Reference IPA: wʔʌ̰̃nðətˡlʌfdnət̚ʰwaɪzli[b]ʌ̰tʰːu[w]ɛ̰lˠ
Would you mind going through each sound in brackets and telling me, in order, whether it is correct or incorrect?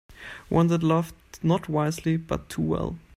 correct, correct

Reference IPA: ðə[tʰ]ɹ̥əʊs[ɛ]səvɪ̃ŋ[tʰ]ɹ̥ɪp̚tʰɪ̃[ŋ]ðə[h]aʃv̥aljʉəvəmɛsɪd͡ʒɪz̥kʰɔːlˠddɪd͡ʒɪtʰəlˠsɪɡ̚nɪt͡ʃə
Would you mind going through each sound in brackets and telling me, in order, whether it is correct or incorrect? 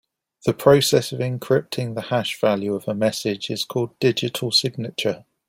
incorrect, correct, incorrect, correct, correct

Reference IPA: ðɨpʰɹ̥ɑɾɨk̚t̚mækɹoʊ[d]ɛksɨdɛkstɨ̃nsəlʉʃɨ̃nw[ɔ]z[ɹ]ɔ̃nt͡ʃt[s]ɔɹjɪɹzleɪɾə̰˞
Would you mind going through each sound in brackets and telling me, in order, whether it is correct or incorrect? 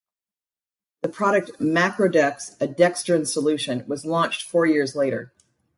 correct, incorrect, incorrect, incorrect

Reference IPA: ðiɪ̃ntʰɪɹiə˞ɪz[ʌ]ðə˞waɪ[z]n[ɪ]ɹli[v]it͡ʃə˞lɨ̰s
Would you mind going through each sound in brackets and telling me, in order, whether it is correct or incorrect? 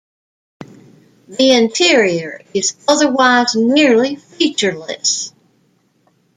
correct, correct, correct, incorrect

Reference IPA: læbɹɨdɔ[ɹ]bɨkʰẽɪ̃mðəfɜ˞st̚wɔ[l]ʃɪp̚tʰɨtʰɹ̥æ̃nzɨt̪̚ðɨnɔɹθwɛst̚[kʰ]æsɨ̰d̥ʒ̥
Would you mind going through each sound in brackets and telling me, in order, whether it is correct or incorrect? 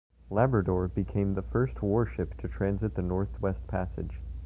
correct, incorrect, incorrect

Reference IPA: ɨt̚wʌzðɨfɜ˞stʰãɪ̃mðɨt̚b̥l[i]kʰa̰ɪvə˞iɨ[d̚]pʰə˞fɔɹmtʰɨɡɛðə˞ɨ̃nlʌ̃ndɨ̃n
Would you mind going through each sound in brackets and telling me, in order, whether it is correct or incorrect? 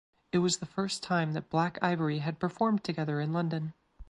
incorrect, correct

